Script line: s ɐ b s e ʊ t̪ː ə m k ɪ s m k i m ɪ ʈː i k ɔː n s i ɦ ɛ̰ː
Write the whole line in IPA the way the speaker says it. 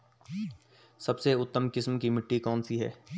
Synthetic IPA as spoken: s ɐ b s e ʊ t̪ː ə m k ɪ s m k i m ɪ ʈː i k ɔː n s i ɦ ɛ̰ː